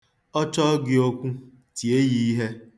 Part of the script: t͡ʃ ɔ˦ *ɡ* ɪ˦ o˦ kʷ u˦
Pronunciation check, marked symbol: correct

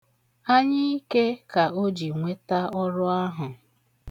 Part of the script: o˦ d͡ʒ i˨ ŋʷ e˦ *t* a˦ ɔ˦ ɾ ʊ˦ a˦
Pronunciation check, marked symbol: correct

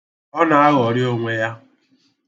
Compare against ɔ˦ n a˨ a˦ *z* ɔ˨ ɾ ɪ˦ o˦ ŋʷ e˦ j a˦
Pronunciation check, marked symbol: incorrect: ɣ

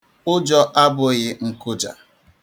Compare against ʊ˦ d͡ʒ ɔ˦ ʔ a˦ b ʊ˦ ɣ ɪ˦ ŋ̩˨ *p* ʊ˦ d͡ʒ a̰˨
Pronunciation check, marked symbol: incorrect: k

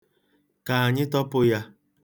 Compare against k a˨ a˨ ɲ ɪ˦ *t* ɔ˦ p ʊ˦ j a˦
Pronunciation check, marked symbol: correct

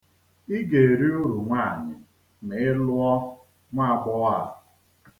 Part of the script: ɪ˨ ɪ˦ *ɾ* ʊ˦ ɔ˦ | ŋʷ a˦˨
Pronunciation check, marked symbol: incorrect: l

